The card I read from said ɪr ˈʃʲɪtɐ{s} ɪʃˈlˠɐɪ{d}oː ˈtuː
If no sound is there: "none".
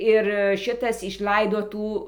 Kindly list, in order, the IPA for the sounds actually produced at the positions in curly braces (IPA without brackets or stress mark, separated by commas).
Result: s, d